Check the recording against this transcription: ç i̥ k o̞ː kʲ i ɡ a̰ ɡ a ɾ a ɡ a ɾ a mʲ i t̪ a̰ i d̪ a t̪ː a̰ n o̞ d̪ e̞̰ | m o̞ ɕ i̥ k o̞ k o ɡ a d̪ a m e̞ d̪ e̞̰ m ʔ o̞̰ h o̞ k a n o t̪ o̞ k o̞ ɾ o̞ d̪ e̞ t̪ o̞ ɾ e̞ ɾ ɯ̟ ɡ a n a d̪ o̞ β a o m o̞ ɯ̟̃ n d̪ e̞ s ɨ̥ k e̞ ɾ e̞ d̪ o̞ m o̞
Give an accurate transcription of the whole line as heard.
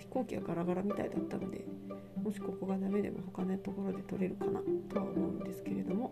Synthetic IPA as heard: ç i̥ k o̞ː kʲ i ɡ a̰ ɡ a ɾ a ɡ a ɾ a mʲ i t̪ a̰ i d̪ a t̪ː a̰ n o̞ d̪ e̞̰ | m o̞ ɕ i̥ k o̞ k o ɡ a d̪ a m e̞ d̪ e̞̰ m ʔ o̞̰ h o̞ k a n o t̪ o̞ k o̞ ɾ o̞ d̪ e̞ t̪ o̞ ɾ e̞ ɾ ɯ̟ k a n a t̪ o̞ β a o m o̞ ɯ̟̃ n d̪ e̞ s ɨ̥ k e̞ ɾ e̞ d̪ o̞ m o̞